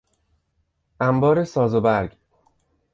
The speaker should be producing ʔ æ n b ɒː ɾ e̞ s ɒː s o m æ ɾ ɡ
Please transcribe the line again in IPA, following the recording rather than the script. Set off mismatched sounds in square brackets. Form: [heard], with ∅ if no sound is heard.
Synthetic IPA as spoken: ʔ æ [m] b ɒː ɾ e̞ s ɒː [z] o [b] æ ɾ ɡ